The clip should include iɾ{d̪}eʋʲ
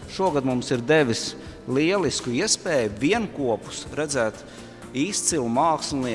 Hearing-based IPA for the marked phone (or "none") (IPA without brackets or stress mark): d̪